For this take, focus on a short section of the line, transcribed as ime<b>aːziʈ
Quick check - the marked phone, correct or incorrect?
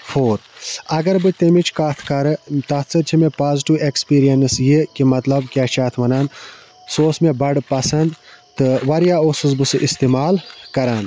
incorrect